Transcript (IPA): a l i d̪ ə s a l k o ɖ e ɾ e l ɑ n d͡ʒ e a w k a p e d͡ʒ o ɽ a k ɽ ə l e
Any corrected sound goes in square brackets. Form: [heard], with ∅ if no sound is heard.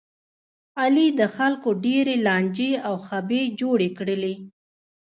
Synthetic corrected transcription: a l i d̪ ə [x] a l k o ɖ e ɾ e l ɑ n d͡ʒ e a w [x] a [b] e d͡ʒ o ɽ [e] k ɽ ə l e